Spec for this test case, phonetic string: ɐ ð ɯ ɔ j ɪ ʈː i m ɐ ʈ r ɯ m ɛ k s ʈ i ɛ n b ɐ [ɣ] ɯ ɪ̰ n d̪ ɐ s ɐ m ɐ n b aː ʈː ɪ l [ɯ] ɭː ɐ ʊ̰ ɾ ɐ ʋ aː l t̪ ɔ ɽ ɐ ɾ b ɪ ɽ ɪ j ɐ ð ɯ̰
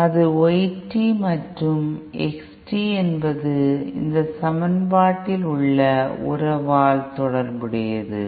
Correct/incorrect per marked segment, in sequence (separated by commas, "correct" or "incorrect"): incorrect, incorrect